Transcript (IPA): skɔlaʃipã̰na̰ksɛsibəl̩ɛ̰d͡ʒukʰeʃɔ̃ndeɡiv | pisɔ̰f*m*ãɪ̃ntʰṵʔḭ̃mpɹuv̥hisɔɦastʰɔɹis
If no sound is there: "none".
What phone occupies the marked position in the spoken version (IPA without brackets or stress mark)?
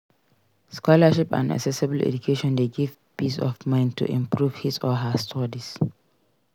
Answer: m